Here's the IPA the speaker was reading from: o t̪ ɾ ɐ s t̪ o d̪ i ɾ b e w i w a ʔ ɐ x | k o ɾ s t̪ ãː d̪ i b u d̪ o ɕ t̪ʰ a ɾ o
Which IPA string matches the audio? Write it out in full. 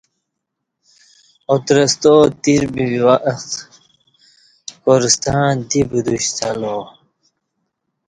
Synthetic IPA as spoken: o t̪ ɾ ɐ s t̪ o t̪ i ɾ b i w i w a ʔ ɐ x | k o ɾ s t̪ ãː d̪ i b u d̪ u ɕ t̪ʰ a l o